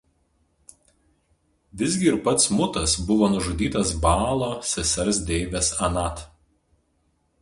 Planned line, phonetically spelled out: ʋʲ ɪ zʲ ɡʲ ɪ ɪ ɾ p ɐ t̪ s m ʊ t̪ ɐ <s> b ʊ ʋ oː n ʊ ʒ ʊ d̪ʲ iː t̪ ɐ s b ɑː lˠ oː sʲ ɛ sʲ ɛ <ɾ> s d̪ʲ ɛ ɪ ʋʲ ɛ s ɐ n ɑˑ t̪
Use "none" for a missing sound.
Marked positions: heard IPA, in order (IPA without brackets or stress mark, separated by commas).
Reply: s, ɾ